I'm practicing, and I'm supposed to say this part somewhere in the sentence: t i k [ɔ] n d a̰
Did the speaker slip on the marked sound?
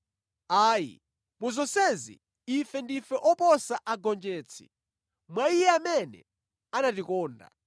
yes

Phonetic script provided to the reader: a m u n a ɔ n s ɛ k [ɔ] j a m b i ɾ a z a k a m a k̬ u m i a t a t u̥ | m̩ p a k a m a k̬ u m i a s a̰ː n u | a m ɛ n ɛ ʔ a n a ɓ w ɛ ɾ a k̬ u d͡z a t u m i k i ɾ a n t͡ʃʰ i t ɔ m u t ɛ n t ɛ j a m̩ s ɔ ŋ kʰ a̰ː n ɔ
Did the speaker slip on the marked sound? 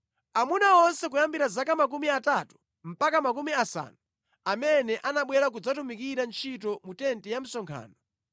yes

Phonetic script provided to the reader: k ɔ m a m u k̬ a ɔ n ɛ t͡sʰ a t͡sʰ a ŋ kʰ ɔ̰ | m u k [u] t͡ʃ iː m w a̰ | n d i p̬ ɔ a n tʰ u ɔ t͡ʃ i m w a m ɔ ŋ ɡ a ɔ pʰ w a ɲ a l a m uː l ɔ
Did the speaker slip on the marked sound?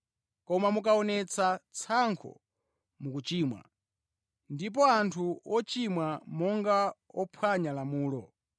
no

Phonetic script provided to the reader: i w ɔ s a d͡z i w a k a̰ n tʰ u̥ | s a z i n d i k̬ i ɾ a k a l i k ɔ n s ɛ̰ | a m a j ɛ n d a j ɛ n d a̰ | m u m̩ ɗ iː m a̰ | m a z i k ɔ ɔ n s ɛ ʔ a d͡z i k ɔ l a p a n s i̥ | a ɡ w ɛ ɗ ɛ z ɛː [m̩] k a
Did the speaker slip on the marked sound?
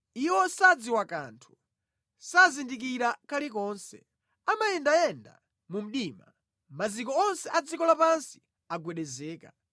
yes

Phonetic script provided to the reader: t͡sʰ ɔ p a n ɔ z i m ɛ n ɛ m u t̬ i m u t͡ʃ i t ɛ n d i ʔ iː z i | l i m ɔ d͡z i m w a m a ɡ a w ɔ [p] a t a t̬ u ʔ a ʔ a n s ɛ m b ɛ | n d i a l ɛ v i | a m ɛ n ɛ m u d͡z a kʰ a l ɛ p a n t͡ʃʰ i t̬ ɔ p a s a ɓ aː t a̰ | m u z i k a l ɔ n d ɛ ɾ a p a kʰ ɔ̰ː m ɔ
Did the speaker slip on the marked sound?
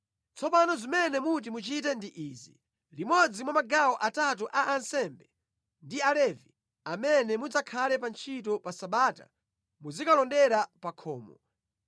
yes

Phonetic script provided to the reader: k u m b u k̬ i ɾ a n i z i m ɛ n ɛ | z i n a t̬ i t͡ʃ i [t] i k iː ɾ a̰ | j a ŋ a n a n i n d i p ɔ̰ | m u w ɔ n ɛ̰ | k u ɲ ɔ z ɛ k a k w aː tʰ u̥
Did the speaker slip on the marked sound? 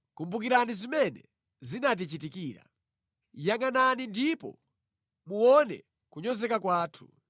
no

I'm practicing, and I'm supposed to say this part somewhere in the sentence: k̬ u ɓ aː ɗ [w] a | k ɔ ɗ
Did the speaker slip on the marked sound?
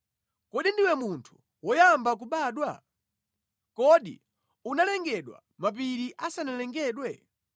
no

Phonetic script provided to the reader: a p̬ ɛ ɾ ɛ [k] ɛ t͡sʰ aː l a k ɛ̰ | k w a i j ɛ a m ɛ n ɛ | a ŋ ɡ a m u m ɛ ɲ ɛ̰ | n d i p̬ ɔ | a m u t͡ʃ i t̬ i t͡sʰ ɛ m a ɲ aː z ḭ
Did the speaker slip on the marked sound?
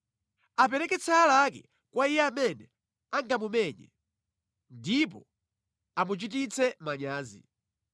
no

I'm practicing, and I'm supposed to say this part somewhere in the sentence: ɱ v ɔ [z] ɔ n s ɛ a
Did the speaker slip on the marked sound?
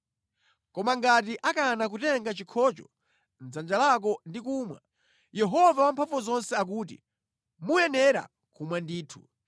no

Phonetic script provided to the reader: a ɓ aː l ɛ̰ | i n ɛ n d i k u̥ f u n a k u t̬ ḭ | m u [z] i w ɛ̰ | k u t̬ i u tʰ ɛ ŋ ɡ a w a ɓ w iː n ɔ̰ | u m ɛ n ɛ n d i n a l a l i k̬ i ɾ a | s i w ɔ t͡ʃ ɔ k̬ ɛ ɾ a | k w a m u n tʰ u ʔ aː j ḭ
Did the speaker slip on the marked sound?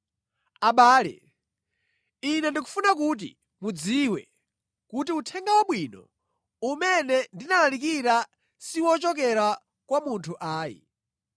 yes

